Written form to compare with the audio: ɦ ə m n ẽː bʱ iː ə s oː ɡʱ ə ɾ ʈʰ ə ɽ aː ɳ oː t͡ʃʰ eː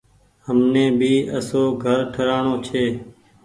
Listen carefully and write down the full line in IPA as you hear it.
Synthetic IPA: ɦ ə m n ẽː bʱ iː ə s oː ɡʱ ə ɾ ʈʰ ə ɾ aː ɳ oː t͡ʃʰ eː